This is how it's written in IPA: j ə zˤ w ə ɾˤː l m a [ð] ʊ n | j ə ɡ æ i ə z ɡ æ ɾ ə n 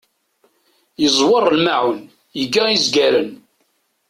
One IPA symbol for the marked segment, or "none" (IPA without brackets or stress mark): ʕ